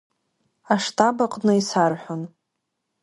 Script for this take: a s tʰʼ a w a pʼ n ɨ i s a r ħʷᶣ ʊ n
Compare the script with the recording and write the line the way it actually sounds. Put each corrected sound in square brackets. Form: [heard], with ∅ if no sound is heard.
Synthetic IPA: a [ʂ] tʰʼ a [b] a [qʼ] n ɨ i s a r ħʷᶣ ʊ n